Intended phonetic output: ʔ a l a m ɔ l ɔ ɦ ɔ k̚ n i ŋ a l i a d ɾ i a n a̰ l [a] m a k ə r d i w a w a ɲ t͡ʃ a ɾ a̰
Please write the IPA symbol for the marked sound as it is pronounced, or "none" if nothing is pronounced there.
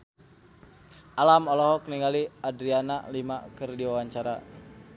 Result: i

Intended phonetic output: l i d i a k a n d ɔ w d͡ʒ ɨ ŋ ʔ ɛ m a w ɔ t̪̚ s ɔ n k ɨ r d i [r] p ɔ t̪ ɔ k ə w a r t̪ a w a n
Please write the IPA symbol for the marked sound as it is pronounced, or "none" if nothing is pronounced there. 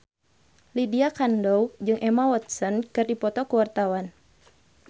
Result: none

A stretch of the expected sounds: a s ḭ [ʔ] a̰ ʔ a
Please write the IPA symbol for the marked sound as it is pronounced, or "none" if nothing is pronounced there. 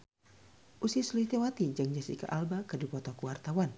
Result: k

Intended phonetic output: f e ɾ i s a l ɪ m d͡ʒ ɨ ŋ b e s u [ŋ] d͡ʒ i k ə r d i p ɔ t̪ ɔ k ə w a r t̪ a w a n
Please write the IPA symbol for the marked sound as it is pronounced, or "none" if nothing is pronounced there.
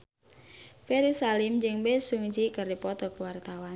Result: ŋ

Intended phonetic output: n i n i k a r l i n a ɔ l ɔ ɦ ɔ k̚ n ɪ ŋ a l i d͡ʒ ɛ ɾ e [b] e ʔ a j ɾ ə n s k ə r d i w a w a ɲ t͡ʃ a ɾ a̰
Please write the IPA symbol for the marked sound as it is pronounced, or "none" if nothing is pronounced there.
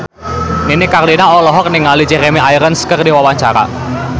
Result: m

